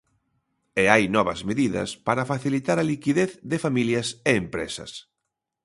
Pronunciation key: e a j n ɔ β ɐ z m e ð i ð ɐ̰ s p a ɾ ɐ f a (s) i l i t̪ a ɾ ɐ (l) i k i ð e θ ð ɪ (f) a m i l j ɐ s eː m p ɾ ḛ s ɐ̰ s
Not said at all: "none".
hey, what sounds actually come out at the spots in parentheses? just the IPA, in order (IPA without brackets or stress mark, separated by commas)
θ, l, f